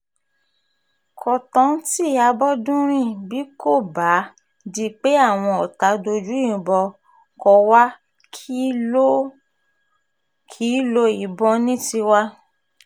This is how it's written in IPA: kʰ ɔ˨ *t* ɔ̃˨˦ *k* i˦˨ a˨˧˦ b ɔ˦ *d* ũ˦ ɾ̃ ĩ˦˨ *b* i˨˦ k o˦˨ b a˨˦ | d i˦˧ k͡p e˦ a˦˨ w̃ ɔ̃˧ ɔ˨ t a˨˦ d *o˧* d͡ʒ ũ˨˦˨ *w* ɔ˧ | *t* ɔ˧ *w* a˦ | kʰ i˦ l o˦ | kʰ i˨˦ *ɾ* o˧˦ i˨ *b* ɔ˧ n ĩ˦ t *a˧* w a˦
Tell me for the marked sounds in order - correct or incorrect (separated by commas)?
correct, incorrect, correct, correct, correct, incorrect, incorrect, correct, incorrect, correct, incorrect